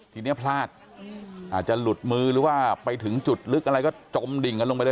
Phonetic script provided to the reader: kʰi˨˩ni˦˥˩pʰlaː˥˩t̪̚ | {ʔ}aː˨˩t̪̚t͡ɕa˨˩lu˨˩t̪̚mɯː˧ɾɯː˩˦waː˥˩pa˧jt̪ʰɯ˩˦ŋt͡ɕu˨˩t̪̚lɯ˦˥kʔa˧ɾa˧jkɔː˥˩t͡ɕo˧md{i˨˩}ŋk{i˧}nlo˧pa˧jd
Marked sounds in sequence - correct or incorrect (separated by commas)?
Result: correct, correct, incorrect